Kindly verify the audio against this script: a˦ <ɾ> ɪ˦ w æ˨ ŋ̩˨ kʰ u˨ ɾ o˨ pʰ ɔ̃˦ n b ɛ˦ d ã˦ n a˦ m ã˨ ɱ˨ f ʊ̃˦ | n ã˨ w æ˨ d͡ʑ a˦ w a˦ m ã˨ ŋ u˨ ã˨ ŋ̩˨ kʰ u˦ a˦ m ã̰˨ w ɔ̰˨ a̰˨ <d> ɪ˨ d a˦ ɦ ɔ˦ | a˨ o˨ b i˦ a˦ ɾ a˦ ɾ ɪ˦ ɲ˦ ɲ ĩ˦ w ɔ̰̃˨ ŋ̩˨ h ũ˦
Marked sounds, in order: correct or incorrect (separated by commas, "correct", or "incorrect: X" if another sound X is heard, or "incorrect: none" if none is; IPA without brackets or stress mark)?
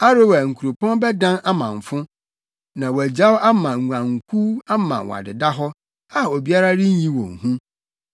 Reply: correct, correct